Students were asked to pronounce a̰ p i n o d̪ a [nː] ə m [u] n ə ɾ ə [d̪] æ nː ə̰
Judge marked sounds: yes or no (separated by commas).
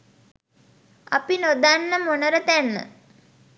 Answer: yes, no, no